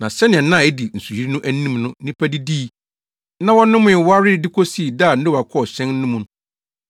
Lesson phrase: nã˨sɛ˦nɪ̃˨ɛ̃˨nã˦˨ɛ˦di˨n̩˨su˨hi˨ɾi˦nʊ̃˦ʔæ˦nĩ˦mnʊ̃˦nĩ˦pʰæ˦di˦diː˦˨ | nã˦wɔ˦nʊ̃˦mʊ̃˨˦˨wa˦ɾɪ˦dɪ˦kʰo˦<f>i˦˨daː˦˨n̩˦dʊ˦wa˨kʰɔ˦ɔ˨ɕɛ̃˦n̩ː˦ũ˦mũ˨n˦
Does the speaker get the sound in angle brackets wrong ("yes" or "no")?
yes